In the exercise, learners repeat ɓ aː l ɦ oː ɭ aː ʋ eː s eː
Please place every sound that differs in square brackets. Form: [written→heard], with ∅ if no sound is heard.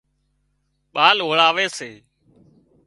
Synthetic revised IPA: ɓ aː l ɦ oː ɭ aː ʋ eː s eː